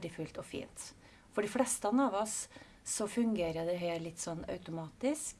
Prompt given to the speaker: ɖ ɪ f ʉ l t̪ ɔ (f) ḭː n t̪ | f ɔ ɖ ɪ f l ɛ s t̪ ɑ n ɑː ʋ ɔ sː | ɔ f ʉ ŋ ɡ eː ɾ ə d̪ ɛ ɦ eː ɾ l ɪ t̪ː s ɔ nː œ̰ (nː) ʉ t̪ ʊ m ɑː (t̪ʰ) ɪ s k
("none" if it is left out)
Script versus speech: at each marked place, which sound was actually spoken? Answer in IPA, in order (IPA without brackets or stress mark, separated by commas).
f, none, t̪